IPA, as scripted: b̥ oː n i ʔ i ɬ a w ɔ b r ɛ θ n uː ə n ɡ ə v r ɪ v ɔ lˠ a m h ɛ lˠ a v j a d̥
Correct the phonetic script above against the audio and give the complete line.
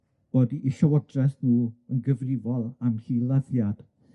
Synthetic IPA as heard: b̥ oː d i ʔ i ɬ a w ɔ d r ɛ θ n uː ə n ɡ ə v r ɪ v ɔ lˠ a m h i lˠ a ð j a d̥